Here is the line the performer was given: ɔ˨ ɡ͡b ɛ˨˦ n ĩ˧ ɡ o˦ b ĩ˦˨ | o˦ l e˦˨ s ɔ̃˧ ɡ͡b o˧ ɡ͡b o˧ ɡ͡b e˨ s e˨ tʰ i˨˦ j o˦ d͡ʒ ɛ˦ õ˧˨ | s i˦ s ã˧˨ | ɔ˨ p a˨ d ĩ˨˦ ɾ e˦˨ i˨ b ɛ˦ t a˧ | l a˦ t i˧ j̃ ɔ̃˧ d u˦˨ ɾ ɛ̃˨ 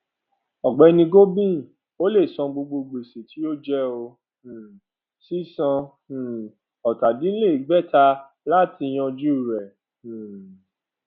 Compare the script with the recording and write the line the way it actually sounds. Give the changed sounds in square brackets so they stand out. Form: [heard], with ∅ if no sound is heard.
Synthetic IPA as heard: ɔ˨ ɡ͡b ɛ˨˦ n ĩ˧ ɡ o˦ b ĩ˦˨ | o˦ l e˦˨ s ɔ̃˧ ɡ͡b o˧ ɡ͡b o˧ ɡ͡b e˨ s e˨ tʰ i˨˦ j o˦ d͡ʒ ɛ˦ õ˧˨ | s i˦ s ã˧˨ | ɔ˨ [t] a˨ d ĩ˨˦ [l] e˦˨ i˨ [ɡ͡b] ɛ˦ t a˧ | l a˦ t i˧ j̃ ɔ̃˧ [d͡ʒ] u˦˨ ɾ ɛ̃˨